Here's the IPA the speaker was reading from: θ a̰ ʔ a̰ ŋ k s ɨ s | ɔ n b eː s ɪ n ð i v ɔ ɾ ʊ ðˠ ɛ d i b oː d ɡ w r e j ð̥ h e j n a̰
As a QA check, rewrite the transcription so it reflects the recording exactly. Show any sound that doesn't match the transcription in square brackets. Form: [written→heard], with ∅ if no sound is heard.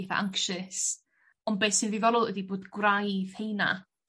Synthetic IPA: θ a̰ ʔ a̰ ŋ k [s→ʃ] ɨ s | ɔ n b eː s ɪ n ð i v ɔ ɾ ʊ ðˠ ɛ d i b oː d ɡ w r [e→a] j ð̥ h e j n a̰